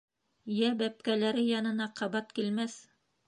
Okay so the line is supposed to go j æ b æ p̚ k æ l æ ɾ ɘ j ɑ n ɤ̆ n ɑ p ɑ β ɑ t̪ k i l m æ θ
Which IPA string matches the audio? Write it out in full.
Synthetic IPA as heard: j æ b æ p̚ k æ l æ ɾ ɘ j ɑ n ɤ̆ n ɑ q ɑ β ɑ t̪ k i l m æ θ